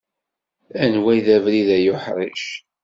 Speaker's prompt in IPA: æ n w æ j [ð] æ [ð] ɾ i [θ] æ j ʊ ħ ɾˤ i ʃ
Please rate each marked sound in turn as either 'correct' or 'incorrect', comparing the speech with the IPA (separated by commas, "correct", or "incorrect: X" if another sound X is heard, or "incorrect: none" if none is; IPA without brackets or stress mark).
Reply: correct, incorrect: v, incorrect: ð